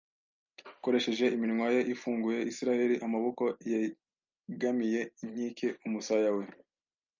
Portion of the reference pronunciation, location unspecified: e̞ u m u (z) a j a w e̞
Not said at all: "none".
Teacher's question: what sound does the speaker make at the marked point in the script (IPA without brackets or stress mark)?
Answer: s